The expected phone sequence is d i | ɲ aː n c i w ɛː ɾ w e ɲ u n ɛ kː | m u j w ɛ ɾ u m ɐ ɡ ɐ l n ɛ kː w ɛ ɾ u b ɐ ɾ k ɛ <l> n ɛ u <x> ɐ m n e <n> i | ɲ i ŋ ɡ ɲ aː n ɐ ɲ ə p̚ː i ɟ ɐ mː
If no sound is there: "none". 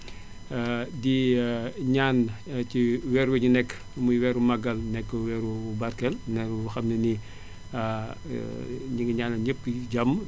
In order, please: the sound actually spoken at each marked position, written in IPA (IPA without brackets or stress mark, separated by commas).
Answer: l, x, n